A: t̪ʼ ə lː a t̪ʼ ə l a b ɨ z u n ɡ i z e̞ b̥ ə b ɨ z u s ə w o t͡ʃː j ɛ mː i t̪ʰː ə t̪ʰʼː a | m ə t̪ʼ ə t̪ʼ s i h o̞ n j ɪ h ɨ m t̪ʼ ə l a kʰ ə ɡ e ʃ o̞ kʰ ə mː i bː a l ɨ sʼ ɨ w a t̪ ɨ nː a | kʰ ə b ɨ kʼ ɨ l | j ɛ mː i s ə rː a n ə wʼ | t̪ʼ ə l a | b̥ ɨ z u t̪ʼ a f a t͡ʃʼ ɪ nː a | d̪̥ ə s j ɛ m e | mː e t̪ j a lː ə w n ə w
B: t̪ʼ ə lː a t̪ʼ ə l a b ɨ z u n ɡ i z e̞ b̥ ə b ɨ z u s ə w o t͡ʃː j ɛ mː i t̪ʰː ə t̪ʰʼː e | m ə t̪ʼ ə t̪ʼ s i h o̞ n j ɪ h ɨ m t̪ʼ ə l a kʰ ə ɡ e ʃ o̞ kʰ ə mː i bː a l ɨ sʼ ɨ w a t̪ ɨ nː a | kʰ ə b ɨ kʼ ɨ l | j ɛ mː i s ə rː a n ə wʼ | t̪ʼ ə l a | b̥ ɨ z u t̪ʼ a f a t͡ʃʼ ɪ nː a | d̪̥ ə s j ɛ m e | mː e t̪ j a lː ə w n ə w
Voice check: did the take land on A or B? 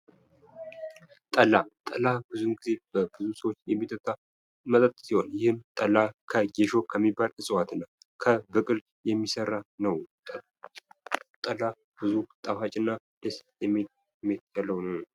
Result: A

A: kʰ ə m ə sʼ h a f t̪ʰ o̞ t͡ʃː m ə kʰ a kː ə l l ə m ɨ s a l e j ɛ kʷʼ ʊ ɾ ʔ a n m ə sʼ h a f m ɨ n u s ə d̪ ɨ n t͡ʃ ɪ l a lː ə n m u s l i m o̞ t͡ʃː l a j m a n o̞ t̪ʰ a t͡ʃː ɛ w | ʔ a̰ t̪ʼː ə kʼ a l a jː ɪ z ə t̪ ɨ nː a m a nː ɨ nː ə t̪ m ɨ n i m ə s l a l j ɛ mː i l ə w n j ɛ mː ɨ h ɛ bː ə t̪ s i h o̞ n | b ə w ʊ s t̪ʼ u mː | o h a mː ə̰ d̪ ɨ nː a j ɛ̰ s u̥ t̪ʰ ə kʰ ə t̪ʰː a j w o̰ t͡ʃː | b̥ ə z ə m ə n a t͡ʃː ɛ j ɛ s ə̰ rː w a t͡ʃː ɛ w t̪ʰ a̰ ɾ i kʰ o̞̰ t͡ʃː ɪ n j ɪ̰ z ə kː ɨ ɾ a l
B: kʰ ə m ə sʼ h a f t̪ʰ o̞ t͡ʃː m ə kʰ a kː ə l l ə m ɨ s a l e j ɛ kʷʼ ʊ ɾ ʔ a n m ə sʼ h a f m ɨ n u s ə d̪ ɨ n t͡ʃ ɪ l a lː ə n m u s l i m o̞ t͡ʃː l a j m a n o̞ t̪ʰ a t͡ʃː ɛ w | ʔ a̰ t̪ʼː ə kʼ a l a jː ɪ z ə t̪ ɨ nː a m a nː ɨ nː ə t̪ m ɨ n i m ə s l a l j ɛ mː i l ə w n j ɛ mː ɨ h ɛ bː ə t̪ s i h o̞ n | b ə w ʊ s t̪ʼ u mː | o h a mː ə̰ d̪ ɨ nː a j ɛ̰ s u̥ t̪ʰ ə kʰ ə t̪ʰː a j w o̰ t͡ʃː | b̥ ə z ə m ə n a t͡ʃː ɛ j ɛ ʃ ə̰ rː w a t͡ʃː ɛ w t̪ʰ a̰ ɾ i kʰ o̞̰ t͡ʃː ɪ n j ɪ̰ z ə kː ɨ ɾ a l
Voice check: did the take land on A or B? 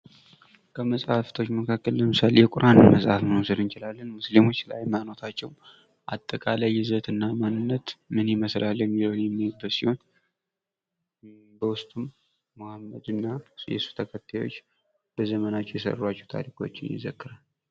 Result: A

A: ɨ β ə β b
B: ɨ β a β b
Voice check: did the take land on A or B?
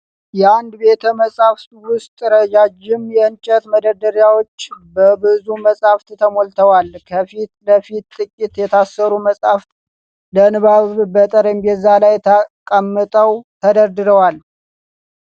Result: B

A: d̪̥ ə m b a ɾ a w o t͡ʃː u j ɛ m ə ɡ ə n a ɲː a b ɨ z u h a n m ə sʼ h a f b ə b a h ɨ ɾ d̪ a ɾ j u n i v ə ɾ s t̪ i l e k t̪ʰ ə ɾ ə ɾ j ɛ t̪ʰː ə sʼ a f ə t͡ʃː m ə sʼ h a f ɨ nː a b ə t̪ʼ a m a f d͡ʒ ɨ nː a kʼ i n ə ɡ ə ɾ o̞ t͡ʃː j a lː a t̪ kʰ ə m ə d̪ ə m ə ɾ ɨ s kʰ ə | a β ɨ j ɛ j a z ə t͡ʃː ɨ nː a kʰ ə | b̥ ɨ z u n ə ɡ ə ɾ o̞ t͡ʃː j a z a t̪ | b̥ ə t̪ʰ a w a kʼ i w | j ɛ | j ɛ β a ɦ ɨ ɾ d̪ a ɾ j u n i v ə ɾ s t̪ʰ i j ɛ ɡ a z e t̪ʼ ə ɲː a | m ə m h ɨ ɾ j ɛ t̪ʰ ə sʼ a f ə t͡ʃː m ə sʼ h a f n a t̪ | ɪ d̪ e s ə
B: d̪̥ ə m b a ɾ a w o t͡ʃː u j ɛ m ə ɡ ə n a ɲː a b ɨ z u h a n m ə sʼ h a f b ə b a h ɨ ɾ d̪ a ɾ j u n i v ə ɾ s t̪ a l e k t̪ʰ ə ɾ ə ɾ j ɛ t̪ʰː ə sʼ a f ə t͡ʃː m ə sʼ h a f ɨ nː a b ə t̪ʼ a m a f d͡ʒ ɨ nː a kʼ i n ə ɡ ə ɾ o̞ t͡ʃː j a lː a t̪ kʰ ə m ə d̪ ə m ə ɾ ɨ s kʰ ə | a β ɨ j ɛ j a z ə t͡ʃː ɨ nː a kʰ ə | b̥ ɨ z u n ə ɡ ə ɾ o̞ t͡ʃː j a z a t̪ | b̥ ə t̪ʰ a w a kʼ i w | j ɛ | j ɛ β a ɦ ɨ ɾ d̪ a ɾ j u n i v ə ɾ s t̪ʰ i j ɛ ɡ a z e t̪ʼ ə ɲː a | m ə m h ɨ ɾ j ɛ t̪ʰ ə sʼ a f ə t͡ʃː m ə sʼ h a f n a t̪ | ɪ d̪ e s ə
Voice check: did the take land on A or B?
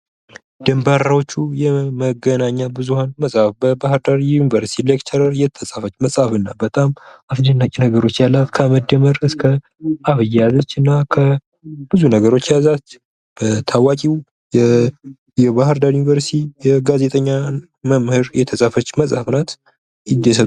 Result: A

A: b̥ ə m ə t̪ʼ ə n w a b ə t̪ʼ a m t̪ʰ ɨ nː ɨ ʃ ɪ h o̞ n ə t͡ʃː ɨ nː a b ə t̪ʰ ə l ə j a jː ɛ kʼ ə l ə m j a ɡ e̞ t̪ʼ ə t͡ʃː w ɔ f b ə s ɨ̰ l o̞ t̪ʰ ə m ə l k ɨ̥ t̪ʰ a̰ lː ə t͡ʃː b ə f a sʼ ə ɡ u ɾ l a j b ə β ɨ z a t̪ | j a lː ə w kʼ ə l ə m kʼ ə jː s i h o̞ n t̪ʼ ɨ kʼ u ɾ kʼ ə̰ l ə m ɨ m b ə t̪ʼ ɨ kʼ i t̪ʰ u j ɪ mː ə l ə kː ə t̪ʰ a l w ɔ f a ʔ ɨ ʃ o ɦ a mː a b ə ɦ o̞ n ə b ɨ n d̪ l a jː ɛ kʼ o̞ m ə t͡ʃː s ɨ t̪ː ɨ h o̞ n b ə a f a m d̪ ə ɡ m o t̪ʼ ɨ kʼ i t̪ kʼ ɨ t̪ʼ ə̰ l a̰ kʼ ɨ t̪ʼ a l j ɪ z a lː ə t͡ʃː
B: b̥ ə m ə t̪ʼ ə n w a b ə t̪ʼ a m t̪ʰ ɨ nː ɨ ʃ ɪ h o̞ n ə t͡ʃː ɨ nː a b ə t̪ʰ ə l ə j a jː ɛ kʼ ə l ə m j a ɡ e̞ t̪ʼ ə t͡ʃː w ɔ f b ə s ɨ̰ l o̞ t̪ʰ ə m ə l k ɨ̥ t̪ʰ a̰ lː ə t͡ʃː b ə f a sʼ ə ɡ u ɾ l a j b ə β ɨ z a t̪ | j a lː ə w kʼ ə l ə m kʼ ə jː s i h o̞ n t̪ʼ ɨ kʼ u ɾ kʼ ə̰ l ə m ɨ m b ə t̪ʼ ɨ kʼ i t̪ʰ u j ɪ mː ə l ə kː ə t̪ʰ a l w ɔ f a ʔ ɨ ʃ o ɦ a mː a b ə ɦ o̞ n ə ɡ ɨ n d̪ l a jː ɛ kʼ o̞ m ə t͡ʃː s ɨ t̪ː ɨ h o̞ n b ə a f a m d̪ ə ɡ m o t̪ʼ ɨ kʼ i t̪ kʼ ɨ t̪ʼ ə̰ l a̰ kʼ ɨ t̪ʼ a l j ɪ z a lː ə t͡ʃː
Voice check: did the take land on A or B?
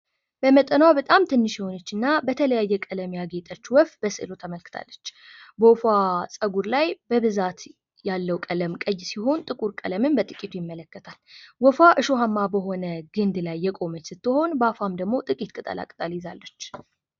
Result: B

